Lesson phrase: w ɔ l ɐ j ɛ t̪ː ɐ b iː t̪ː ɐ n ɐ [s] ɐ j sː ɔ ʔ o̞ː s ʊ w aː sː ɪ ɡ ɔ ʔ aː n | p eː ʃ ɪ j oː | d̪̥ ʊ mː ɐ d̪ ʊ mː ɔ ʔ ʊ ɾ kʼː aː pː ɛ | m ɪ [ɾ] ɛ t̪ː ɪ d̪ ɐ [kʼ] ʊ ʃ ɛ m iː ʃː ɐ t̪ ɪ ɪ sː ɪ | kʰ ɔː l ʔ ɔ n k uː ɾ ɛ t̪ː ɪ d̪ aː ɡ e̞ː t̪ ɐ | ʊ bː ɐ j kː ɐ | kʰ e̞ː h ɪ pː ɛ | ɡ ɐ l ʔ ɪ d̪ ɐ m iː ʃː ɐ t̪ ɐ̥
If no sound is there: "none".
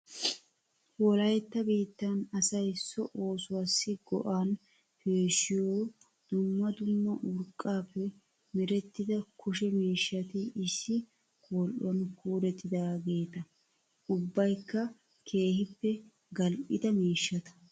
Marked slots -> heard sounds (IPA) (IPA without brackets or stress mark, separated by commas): s, ɾ, k